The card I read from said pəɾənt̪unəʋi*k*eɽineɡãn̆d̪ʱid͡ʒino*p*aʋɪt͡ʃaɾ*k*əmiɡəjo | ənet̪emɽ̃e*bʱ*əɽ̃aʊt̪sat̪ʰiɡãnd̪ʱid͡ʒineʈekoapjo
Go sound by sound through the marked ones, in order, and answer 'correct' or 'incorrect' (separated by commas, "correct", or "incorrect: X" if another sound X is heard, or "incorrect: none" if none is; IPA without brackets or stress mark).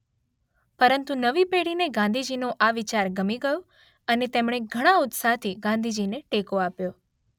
incorrect: p, incorrect: ʔ, incorrect: ɡ, incorrect: ɡʱ